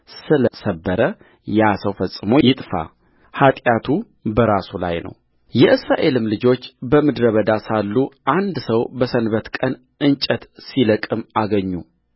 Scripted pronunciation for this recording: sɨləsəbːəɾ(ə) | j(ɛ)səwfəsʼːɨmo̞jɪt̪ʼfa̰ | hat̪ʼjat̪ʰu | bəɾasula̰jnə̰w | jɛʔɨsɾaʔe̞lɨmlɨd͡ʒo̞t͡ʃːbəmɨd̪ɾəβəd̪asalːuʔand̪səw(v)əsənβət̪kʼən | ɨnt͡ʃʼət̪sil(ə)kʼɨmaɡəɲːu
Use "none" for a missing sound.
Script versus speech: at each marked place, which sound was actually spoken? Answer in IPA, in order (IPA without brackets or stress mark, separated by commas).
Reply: ə, a, b, ə